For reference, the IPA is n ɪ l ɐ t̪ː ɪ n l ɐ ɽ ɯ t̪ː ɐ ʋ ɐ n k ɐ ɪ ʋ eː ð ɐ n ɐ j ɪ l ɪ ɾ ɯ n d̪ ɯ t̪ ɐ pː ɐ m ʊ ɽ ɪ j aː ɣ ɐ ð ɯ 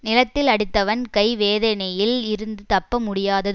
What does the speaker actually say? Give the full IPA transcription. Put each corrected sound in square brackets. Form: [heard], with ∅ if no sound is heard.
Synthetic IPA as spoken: n ɪ l ɐ t̪ː ɪ [∅] l ɐ ɽ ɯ t̪ː ɐ ʋ ɐ n k ɐ ɪ ʋ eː ð ɐ n ɐ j ɪ l ɪ ɾ ɯ n d̪ ɯ t̪ ɐ pː ɐ m ʊ ɽ ɪ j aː [ð] ɐ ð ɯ